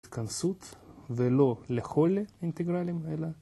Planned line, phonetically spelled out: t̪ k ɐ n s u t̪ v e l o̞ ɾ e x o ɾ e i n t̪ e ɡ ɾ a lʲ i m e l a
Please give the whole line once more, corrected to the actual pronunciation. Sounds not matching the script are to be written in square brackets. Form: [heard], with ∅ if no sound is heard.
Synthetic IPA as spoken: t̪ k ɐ n s u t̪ v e l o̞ [l] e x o [l] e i n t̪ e ɡ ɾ a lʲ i m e l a